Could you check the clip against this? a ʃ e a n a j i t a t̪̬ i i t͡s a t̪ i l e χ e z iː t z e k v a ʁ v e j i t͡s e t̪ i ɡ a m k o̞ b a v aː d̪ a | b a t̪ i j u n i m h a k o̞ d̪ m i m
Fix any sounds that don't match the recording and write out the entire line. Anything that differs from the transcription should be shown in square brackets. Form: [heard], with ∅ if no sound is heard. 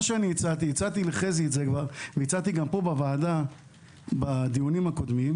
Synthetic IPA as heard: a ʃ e a n [i] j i [t͡s] a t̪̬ i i t͡s a t̪ i l e χ e z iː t z e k v a ʁ v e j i t͡s [a] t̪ i ɡ a m [p] o̞ b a v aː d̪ a | b a [d̪] i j u n i m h a k o̞ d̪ m i m

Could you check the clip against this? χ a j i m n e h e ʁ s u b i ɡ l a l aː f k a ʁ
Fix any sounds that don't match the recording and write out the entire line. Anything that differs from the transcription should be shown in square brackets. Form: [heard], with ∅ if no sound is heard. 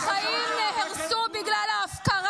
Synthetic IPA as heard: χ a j i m n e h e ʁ s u b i ɡ l a l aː f k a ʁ

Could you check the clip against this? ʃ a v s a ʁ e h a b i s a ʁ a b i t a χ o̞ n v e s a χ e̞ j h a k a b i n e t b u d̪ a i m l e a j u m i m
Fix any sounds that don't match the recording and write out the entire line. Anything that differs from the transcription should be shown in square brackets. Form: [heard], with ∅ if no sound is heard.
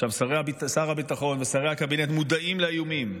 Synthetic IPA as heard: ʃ a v s a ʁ e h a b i s a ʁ a b i t a χ o̞ n v e s a [ʁ] e̞ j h a k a b i n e t [m] u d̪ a i m l e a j u m i m

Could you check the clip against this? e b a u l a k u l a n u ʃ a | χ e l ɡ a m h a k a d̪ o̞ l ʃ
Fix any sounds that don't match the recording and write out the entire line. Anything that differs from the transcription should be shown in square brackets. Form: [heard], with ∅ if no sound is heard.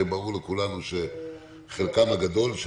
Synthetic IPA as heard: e b a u l [e] k u l a n u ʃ [e] | χ e l [k] a m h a [ɡ] a d̪ o̞ l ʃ

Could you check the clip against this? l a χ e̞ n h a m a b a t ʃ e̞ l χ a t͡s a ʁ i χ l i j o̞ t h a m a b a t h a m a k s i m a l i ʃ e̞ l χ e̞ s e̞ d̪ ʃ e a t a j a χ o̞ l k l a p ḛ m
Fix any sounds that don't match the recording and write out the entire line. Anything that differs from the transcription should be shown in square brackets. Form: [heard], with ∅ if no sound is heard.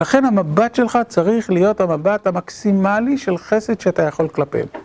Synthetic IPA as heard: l a χ e̞ n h a m a b a t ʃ e̞ l χ a t͡s a ʁ i χ l i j o̞ t h a m a b a t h a m a k s i m a l i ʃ e̞ l χ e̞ s e̞ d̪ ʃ e a t a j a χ o̞ l k l a p ḛ m

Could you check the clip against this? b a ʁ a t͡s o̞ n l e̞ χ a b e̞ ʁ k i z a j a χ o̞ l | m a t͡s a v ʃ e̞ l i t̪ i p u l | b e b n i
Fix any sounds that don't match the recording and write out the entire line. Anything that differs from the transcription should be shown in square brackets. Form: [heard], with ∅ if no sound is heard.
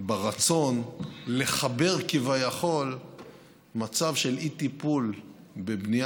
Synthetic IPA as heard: b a ʁ a t͡s o̞ n l e̞ χ a b e̞ ʁ k i [v] a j a χ o̞ l | m a t͡s a v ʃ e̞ l i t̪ i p u l | b e b n i

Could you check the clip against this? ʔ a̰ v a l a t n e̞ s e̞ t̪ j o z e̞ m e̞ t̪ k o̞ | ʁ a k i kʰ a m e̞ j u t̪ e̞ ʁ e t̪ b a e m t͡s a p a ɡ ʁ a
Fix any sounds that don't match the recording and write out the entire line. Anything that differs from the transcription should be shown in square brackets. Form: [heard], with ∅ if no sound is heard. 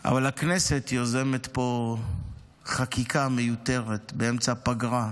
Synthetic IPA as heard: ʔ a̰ v a l a [k] n e̞ s e̞ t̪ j o z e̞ m e̞ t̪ [p] o̞ | [χ] a k i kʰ a m e̞ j u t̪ e̞ ʁ e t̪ b [e] e m t͡s a p a ɡ ʁ a

